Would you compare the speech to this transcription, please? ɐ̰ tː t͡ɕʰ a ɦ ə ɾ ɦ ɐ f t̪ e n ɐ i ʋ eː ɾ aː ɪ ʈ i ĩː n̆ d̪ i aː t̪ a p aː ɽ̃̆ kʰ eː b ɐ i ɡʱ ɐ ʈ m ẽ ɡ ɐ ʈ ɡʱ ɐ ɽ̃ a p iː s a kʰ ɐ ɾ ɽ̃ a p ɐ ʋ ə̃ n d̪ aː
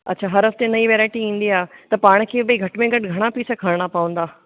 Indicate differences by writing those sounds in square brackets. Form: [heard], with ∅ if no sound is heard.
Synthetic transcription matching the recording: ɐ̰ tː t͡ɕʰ a ɦ [ɐ] ɾ ɦ ɐ f t̪ e n ɐ i ʋ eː ɾ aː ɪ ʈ i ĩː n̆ d̪ i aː t̪ [ɐ] p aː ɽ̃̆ kʰ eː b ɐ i ɡʱ ɐ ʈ m ẽ ɡ ɐ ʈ ɡʱ ɐ ɽ̃ a p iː s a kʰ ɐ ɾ ɽ̃ a p ɐ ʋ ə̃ n d̪ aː